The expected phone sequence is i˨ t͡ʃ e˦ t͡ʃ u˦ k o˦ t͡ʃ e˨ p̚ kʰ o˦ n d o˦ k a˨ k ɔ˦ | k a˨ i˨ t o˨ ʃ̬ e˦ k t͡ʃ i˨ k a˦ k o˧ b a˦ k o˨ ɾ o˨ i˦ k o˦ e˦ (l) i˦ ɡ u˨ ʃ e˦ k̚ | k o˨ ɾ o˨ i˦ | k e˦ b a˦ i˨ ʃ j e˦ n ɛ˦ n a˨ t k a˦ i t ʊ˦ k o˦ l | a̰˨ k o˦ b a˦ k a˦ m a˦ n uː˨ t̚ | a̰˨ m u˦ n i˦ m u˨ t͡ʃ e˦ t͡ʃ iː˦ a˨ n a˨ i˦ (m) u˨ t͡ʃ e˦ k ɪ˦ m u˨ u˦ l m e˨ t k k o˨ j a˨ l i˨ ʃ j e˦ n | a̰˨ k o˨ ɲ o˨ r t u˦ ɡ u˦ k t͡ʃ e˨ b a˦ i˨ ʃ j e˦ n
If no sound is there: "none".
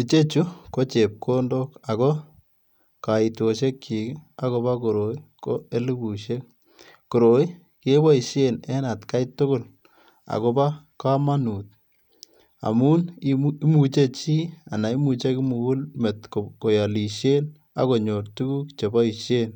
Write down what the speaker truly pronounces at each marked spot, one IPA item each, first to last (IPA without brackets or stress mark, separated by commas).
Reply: l, m